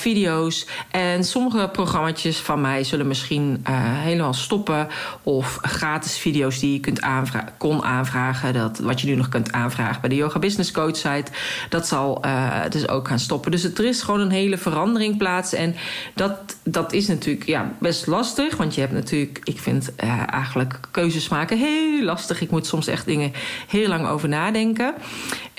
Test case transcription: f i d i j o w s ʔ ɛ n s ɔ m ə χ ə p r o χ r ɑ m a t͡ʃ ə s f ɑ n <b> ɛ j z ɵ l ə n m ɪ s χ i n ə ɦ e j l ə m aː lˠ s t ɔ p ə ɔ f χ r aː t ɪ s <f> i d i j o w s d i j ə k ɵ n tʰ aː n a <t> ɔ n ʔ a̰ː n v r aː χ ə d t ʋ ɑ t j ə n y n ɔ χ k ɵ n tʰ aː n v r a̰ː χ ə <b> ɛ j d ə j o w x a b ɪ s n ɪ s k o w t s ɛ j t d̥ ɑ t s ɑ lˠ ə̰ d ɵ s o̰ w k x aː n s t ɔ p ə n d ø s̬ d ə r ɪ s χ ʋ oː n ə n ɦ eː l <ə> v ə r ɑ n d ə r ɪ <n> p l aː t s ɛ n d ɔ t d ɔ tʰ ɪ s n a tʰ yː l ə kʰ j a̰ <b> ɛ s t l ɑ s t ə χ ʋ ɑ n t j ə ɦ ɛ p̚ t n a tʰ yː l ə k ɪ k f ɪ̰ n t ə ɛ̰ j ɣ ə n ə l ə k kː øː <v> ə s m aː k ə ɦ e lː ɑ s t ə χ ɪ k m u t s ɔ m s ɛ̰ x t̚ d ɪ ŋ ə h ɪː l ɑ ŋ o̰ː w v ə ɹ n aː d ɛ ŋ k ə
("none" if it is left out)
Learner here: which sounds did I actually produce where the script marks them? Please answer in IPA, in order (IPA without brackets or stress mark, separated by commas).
m, f, k, b, ə, ŋ, b, z